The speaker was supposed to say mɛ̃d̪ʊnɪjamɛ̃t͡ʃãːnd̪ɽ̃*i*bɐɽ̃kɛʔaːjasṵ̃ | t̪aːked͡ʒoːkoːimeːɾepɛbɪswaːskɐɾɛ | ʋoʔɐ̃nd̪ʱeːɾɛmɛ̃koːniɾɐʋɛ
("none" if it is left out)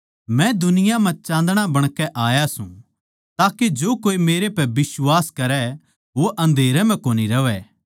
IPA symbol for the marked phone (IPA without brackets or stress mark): a